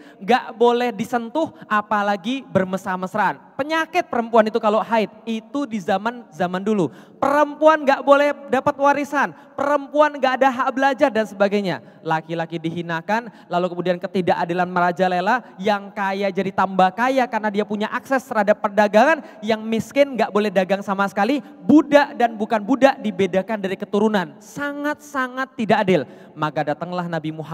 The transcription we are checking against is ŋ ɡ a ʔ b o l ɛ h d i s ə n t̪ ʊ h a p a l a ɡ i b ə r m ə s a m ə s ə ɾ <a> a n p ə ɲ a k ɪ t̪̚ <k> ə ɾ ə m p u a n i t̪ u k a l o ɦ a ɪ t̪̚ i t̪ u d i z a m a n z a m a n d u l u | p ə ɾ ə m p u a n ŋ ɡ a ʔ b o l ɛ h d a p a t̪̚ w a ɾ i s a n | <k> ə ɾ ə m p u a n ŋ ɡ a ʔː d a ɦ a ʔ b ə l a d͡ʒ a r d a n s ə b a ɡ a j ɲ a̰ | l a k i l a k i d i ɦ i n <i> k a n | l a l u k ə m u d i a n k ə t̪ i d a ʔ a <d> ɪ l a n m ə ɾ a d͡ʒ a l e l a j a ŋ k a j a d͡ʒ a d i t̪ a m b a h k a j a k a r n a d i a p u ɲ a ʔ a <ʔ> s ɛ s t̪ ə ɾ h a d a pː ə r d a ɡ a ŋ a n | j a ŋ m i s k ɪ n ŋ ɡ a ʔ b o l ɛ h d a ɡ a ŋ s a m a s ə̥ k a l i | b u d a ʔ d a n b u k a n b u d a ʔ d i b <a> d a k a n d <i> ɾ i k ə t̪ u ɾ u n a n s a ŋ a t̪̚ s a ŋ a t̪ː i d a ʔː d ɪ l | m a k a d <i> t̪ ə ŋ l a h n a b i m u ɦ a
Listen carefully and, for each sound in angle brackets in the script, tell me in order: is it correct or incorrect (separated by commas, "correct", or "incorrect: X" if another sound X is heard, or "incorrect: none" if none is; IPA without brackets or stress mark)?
correct, incorrect: p, incorrect: p, incorrect: a, correct, incorrect: k, incorrect: e, incorrect: a, incorrect: a